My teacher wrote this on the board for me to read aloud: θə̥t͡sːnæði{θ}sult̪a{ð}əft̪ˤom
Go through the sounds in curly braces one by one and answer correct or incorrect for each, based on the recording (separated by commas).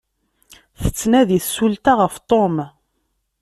correct, incorrect